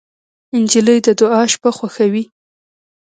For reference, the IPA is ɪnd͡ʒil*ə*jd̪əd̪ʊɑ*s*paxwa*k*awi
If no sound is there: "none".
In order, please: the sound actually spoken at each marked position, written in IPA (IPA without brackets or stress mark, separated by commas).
ə, ʃ, x